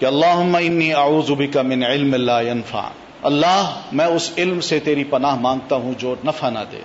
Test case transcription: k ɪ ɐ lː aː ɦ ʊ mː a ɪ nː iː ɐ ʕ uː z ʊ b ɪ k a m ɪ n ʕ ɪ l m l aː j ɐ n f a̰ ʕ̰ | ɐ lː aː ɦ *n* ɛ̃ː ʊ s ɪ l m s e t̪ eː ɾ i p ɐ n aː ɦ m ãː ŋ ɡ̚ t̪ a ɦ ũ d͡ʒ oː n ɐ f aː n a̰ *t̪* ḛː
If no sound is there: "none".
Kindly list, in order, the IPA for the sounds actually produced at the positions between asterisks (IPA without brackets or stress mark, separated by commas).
m, d̪